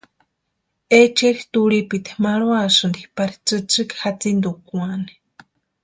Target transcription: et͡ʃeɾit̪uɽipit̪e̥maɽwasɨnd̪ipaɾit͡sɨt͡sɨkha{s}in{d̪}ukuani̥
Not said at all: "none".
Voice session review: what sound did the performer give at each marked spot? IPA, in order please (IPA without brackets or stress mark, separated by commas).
t͡s, d̪